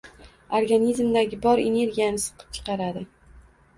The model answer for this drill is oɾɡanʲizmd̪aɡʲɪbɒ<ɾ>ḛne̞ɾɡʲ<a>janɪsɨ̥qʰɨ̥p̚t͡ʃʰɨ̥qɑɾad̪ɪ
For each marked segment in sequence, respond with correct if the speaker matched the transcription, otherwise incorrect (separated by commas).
correct, incorrect